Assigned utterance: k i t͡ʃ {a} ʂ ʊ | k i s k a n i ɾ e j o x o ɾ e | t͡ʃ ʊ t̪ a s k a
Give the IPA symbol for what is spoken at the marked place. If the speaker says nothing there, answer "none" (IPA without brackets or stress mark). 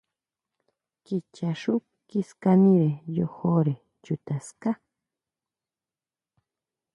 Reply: a